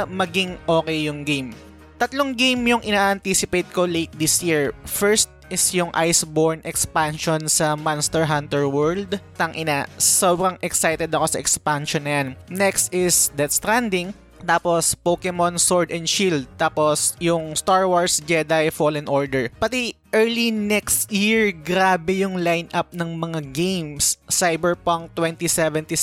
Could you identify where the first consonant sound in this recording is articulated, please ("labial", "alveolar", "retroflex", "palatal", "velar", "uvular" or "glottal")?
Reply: labial